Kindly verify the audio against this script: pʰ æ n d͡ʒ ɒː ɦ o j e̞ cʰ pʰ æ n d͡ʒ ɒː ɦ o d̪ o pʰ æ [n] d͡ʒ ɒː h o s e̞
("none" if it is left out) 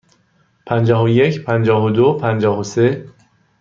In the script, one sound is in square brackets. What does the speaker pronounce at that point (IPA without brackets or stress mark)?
n